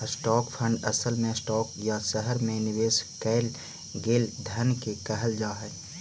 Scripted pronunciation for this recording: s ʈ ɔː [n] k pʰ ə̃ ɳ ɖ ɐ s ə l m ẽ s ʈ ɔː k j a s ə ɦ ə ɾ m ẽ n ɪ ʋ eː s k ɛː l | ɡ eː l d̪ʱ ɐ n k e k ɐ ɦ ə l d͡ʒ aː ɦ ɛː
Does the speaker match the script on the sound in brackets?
no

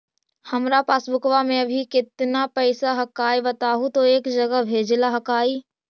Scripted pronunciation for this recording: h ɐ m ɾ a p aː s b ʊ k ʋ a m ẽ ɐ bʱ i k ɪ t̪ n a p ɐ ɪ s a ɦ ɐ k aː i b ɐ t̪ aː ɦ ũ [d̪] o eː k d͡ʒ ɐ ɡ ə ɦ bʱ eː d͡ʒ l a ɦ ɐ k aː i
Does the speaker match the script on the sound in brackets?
no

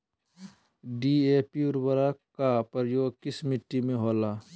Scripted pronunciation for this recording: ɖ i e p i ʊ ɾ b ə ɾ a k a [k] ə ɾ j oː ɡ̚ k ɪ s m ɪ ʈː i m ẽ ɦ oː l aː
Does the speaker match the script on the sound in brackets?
no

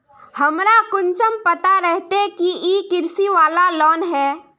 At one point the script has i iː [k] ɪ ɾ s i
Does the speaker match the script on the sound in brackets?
yes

